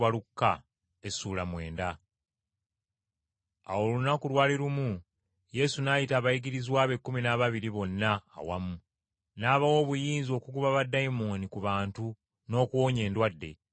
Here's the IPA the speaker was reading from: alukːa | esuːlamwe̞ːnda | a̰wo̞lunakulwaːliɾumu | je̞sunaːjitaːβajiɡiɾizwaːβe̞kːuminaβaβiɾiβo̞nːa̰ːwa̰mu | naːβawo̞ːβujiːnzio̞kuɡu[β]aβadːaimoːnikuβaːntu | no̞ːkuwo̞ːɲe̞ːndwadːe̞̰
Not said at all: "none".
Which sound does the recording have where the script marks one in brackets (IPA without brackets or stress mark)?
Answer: β